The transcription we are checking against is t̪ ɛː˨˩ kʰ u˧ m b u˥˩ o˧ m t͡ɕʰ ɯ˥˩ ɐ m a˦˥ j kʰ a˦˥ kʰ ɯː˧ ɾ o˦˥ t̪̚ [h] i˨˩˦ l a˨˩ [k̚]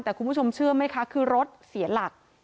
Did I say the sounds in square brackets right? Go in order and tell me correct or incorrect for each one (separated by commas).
incorrect, correct